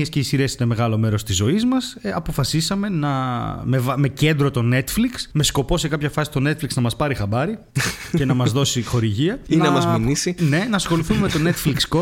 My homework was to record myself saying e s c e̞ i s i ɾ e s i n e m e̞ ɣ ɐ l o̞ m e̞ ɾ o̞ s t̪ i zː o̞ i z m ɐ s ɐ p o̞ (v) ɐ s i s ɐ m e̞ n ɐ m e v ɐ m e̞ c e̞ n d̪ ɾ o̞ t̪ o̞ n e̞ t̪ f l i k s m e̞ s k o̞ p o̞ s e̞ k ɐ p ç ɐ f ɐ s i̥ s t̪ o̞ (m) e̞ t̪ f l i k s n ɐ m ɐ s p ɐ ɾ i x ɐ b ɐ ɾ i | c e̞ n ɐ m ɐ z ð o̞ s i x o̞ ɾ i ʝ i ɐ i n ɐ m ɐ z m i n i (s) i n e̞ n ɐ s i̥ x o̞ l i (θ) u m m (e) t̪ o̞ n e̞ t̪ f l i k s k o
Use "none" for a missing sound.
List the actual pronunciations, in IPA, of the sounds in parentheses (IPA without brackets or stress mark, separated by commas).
f, n, s, θ, e